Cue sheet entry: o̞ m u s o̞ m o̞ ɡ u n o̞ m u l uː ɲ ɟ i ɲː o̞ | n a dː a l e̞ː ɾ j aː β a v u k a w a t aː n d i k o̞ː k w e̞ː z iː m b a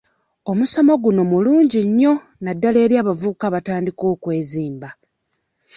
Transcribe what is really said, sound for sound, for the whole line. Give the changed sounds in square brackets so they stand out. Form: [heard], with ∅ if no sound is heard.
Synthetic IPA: o̞ m u s o̞ m o̞ ɡ u n o̞ m u l uː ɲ ɟ i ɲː o̞ | n a dː a l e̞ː ɾ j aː β a v u k a [β] a t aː n d i k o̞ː k w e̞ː z iː m b a